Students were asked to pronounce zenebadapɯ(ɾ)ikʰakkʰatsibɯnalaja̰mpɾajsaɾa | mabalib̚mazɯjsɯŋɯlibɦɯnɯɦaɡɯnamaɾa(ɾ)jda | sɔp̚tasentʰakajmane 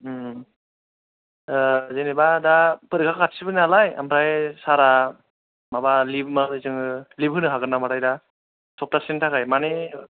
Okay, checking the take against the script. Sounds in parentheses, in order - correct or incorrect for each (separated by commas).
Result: correct, incorrect